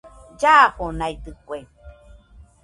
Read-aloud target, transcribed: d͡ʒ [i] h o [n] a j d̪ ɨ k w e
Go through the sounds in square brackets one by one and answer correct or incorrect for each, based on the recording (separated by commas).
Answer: incorrect, correct